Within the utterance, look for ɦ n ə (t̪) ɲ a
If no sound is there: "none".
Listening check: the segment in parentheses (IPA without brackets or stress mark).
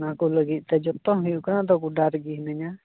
none